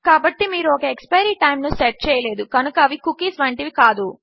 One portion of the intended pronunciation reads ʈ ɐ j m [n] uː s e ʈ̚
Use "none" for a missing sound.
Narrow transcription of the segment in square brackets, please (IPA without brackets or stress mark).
n